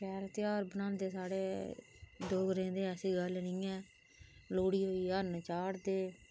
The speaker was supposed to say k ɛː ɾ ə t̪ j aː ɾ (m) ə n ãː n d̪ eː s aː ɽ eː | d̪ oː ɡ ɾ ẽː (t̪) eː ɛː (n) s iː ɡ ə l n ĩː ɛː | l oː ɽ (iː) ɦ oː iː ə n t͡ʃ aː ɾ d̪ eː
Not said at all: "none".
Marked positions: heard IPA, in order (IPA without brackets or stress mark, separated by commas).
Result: b, d̪, none, iː